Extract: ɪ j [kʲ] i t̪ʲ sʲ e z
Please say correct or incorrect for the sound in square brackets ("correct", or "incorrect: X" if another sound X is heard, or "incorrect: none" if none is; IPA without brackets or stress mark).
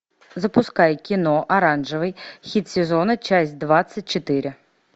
incorrect: xʲ